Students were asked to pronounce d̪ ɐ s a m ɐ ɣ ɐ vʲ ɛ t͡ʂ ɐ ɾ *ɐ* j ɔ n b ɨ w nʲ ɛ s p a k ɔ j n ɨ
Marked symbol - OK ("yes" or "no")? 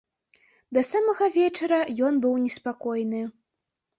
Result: yes